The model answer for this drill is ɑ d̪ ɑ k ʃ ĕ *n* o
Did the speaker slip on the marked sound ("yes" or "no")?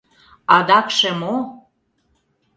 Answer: yes